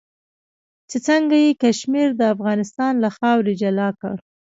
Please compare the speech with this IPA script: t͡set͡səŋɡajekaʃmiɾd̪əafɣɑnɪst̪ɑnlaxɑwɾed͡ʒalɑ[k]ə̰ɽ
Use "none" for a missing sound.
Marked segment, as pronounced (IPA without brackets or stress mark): k